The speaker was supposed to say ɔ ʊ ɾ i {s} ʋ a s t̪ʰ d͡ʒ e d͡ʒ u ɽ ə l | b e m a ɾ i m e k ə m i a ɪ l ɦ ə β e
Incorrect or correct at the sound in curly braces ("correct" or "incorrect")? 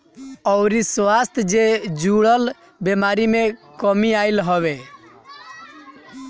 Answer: correct